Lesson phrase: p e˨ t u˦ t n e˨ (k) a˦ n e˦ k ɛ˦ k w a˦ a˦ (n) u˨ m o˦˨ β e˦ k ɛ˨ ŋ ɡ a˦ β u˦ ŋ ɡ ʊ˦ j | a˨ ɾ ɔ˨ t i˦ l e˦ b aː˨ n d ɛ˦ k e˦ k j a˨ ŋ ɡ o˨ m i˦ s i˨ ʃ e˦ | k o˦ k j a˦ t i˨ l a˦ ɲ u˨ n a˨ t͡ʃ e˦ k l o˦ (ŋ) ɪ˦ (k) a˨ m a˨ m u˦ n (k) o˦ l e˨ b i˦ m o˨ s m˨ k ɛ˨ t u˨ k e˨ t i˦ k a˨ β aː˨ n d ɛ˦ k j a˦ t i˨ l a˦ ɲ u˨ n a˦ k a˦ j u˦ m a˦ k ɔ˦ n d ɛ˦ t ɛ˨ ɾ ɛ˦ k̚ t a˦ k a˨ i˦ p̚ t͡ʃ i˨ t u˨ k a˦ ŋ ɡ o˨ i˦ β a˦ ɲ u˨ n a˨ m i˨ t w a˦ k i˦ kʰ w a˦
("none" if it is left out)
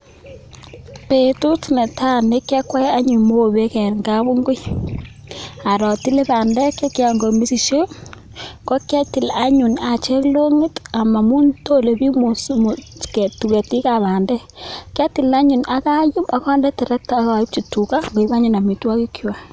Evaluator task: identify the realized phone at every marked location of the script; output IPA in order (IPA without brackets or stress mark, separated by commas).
t, ɲ, ŋ, t, t